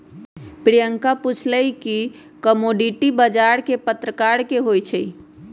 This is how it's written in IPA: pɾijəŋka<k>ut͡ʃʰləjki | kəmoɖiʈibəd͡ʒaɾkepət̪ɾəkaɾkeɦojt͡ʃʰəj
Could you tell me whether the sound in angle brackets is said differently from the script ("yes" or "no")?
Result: yes